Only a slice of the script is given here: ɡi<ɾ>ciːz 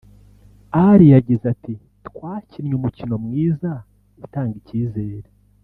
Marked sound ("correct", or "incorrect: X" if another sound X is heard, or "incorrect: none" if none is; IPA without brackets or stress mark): incorrect: none